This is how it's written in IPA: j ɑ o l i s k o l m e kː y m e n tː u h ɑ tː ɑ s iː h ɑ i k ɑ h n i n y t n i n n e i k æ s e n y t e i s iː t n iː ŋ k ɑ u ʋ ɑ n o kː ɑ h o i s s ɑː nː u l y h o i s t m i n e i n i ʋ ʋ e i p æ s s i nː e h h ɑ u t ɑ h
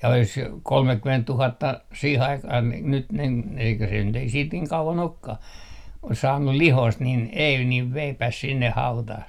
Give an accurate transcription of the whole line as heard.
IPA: j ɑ o l i s k o l m e kː y m e n tː u h ɑ tː ɑ s iː h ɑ i k ɑ h n i n y t n i n n e i k æ s e n y t e i s iː t n iː ŋ k ɑ u ʋ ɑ n o kː ɑ h o i s s ɑː nː u l i h o i s t n i n e i n i ʋ ʋ e i p æ s s i nː e h h ɑ u t ɑ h